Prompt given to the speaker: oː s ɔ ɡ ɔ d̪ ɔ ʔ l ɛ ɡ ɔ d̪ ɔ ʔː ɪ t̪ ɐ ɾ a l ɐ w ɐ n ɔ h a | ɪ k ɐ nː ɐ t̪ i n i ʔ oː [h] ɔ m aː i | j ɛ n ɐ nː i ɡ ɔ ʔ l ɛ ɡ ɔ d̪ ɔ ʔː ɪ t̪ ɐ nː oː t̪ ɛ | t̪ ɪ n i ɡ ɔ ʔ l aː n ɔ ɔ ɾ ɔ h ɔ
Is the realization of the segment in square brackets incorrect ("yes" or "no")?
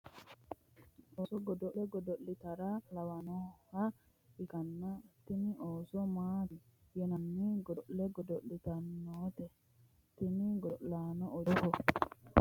yes